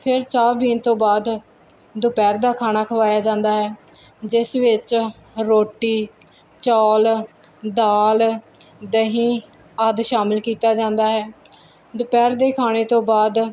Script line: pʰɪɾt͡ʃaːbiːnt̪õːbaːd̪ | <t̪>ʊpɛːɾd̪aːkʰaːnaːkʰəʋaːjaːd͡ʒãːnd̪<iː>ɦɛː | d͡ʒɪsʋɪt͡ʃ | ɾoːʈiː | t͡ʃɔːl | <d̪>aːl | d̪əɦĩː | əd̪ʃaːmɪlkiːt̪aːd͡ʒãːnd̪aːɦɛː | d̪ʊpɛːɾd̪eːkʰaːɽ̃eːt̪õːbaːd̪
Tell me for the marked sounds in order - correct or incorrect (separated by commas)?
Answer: incorrect, incorrect, correct